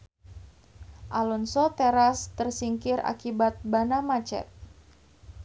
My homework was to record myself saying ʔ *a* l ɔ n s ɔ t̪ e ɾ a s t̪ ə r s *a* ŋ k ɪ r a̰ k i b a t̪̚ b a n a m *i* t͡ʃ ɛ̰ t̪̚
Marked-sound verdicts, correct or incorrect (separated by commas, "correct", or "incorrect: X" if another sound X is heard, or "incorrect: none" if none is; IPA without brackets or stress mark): correct, incorrect: i, incorrect: a